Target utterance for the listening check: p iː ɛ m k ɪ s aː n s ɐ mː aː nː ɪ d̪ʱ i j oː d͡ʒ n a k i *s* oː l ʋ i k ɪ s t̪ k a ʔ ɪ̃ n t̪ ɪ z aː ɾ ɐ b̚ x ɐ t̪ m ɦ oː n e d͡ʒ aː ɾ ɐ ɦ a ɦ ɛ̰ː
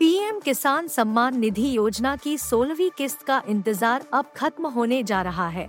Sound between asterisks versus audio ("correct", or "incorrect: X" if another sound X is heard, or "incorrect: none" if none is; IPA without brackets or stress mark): correct